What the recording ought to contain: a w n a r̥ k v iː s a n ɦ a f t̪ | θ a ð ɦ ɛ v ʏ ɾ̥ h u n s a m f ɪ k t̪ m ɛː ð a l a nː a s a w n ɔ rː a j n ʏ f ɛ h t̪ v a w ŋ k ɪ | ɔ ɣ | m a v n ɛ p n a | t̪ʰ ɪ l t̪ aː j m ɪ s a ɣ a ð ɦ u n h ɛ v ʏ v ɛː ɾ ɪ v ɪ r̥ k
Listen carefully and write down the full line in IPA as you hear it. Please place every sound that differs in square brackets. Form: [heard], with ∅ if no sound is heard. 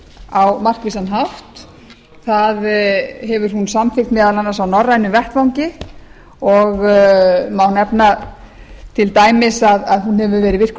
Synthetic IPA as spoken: a w [m] a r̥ k v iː s a n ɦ a f t̪ | θ a ð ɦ ɛ v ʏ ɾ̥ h u n s a m f ɪ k t̪ m ɛː ð a l a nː a s a w n ɔ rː a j n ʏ [v] ɛ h t̪ v a w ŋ [c] ɪ | ɔ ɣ | m a [w] n ɛ p n a | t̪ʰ ɪ l t̪ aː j m ɪ s a [ð] a ð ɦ u n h ɛ v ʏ v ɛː ɾ ɪ v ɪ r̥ k